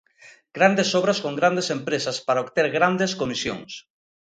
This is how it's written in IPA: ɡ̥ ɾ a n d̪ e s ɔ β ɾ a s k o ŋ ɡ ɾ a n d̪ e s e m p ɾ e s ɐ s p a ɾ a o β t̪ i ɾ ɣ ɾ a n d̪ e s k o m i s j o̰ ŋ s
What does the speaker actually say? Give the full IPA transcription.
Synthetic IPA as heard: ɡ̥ ɾ a n d̪ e s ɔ β ɾ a s k o ŋ ɡ ɾ a n d̪ e s e m p ɾ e s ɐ s p a ɾ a o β t̪ e ɾ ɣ ɾ a n d̪ e s k o m i s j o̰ ŋ s